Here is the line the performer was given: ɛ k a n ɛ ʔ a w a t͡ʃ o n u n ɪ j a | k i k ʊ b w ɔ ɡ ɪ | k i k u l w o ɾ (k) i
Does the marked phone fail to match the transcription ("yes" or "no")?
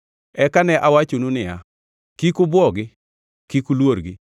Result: yes